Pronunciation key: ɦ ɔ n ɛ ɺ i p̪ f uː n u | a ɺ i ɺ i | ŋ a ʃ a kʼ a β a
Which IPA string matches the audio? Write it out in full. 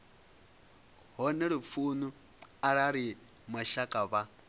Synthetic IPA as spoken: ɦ ɔ n ɛ ɺ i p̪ f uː n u | a ɺ a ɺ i | m a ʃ a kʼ a β a